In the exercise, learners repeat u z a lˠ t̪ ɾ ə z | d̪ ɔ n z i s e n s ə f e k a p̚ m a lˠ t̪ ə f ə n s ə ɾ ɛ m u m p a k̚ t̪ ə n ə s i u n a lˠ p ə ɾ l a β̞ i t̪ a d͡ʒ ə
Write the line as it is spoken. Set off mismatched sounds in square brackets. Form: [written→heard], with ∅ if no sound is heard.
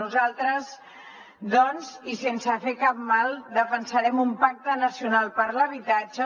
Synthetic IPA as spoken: u z a lˠ t̪ ɾ ə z | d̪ ɔ n z i s e n s ə f e k a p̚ m a lˠ [t̪→d̪] ə f ə n s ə ɾ ɛ m u m p a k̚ t̪ ə n ə s i u n a lˠ p ə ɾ l [a→ə] β̞ i t̪ a d͡ʒ ə